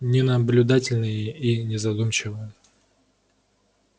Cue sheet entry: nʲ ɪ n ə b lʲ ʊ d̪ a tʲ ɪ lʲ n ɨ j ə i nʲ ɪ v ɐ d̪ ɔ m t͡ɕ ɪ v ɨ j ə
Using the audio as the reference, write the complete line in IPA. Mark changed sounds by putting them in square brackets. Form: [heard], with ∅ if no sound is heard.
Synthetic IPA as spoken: nʲ ɪ n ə b lʲ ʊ d̪ a tʲ ɪ lʲ n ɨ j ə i nʲ ɪ [z] ɐ d̪ [u] m t͡ɕ ɪ v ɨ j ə